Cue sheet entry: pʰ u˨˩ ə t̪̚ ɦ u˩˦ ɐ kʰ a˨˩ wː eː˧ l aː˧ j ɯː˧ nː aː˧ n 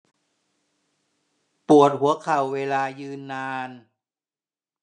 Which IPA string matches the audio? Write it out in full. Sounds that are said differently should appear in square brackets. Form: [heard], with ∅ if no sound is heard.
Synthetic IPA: [p] u˨˩ ə t̪̚ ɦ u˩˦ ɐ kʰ a˨˩ wː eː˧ l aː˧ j ɯː˧ nː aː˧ n